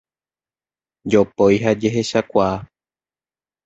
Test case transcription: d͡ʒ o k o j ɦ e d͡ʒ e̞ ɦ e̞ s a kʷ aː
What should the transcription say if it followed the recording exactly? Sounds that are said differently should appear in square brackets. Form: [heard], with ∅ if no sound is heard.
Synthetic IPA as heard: d͡ʒ o [p] o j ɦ [a] d͡ʒ e̞ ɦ e̞ [ʃ] a kʷ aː